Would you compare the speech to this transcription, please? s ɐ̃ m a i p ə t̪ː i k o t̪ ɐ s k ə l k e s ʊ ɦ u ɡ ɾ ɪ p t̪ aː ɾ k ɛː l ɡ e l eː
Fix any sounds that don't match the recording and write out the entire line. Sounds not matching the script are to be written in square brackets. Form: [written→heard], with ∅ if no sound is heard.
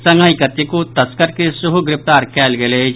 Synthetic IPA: s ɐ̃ [m→ŋ] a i [p→k] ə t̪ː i k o t̪ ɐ s k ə [l→ɾ] k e s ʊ ɦ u ɡ ɾ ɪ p t̪ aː ɾ k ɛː l ɡ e l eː